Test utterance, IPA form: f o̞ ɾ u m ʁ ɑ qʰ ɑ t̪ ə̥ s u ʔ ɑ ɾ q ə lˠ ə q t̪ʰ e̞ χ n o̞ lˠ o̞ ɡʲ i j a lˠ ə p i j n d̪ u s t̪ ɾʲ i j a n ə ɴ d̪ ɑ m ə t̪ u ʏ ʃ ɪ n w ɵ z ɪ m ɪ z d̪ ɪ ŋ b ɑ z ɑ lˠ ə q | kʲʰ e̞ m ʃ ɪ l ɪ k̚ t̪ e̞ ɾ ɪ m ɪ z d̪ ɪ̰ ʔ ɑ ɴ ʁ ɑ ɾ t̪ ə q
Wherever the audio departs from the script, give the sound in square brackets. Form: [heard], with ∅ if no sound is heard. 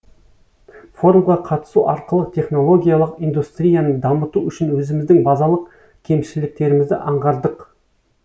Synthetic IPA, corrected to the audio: f o̞ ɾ u m ʁ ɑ qʰ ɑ t̪ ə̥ s u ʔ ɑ ɾ q ə lˠ ə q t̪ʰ e̞ χ n o̞ lˠ o̞ ɡʲ i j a lˠ ə [q] i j n d̪ u s t̪ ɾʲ i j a n ə ɴ d̪ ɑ m ə t̪ u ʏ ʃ ɪ n w ɵ z ɪ m ɪ z d̪ ɪ ŋ b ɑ z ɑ lˠ ə q | kʲʰ e̞ m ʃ ɪ l ɪ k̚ t̪ e̞ ɾ ɪ m ɪ z d̪ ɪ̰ ʔ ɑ ɴ ʁ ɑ ɾ [d̪] ə q